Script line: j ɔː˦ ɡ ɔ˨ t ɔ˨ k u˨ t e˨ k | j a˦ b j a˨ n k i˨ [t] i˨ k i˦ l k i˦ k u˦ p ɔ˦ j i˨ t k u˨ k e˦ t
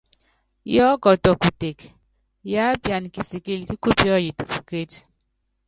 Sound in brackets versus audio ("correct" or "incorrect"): incorrect